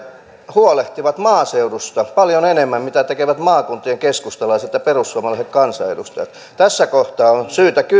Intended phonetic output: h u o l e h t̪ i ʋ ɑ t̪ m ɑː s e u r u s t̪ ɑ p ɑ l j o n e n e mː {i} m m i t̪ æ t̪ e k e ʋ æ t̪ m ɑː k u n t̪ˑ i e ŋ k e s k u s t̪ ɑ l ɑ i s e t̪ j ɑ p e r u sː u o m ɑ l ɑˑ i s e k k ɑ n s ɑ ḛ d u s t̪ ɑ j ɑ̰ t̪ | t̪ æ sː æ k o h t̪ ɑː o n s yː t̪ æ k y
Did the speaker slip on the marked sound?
yes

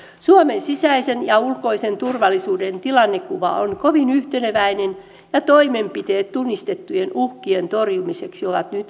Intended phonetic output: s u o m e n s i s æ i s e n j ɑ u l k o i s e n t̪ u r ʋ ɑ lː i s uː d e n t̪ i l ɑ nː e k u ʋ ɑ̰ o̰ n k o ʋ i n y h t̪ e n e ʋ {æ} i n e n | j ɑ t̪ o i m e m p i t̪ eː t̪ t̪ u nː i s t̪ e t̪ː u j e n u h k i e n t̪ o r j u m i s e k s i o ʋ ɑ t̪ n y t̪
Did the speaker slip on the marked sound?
no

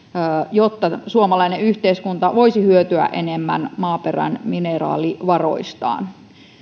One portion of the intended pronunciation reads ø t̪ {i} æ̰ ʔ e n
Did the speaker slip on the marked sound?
yes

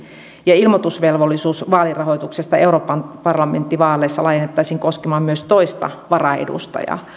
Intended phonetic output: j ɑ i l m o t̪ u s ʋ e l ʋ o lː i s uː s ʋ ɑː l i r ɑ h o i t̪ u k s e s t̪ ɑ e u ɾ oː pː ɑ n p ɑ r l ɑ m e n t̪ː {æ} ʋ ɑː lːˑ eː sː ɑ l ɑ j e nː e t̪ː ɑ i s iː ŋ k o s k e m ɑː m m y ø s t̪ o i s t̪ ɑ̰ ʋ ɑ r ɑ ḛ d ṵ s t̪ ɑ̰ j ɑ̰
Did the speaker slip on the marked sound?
yes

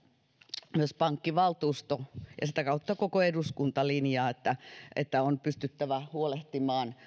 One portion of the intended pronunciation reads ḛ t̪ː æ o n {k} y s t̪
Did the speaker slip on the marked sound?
yes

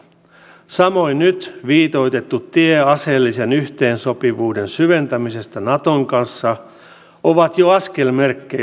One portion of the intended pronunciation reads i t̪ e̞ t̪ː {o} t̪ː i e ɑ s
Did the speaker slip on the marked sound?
yes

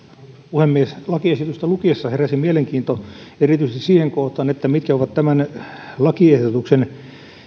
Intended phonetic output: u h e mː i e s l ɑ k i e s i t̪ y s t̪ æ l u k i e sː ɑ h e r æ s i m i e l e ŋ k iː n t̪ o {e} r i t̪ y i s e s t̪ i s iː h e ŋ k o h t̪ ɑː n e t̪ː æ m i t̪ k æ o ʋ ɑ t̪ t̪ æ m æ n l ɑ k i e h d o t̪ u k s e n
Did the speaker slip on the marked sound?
no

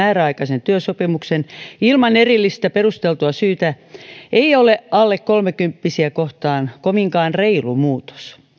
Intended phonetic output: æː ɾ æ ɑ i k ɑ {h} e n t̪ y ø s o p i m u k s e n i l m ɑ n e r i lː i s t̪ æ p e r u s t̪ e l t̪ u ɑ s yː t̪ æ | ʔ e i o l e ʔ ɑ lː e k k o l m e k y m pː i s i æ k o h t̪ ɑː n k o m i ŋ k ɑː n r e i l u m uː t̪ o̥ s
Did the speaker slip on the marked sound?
yes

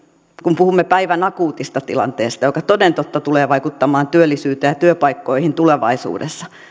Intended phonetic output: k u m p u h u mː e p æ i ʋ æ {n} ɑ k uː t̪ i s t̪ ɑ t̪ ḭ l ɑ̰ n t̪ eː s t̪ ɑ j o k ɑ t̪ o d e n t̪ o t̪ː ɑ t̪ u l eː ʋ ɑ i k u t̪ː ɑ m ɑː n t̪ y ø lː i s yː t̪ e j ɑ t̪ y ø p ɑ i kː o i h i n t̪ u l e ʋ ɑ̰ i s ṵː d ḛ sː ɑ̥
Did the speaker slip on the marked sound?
no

